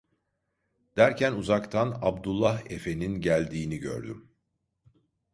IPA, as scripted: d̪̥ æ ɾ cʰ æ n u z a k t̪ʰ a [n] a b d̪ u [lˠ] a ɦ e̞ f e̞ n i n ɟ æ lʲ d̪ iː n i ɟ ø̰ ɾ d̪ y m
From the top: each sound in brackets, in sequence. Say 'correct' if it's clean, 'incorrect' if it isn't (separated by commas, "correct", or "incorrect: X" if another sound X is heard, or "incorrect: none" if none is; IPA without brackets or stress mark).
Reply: correct, incorrect: lˠː